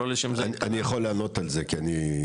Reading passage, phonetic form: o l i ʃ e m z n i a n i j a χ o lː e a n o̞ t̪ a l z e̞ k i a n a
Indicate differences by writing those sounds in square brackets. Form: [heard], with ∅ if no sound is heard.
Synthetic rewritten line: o l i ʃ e m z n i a n i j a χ o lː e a n o̞ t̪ a l z e̞ k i a n [i]